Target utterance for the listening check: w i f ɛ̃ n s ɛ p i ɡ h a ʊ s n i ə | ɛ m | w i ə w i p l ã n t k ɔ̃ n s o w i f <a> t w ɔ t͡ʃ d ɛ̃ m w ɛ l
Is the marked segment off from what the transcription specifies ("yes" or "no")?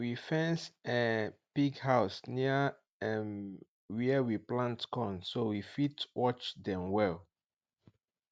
yes